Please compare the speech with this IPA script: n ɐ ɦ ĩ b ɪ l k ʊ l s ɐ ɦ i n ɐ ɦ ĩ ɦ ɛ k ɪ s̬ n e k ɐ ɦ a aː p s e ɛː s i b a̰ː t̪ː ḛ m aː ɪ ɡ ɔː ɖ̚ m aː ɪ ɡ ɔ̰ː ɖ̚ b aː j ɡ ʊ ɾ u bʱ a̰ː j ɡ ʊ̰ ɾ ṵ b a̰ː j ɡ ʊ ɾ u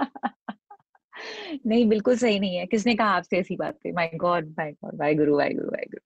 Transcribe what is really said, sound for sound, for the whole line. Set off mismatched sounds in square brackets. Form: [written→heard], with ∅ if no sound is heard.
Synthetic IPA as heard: n ɐ ɦ ĩ b ɪ l k ʊ l s ɐ ɦ i n ɐ ɦ ĩ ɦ ɛ k ɪ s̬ n e k ɐ ɦ a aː p s e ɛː s i b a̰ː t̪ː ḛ m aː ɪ ɡ ɔː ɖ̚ m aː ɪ ɡ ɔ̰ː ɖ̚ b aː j ɡ ʊ ɾ u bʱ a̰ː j ɡ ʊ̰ ɾ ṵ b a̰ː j ɡ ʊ ɾ u